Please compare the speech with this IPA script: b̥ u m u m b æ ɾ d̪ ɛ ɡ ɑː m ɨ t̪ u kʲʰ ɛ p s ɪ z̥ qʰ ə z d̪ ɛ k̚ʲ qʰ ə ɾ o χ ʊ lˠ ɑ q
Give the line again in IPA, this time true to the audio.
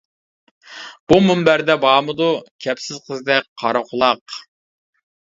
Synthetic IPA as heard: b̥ u m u m b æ ɾ d̪ ɛ b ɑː m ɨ d̪ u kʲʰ ɛ p s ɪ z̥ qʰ ə z d̪ ɛ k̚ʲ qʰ ɑ ɾ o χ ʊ lˠ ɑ q